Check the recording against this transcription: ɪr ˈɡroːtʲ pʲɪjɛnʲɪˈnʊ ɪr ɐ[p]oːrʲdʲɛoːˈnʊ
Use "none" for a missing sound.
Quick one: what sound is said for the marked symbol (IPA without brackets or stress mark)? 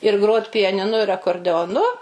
k